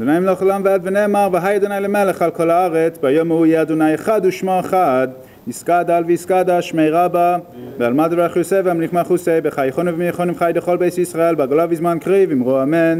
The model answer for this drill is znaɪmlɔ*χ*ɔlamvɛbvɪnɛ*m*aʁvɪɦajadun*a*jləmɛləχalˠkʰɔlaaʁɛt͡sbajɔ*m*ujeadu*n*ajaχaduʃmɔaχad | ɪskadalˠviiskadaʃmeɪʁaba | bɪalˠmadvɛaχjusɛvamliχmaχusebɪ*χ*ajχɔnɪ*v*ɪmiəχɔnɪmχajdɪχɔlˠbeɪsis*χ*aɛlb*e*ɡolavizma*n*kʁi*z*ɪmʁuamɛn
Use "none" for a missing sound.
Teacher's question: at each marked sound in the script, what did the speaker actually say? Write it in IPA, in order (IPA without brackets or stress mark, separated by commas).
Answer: χ, m, a, m, n, χ, v, ʁ, a, n, v